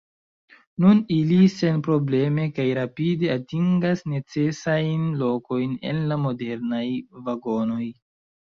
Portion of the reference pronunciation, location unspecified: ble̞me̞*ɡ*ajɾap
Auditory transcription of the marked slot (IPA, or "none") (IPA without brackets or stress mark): k